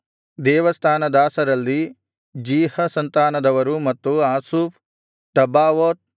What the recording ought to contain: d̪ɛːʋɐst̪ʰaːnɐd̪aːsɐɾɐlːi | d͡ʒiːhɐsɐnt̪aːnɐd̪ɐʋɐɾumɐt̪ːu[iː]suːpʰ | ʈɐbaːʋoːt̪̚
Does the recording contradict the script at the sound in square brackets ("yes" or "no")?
yes